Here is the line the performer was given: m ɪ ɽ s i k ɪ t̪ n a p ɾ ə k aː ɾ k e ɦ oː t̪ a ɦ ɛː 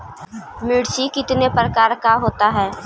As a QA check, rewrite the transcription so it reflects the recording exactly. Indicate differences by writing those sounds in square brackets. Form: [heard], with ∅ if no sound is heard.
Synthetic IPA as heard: m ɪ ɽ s i k ɪ t̪ n [e] p ɾ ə k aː ɾ k [a] ɦ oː t̪ a ɦ ɛː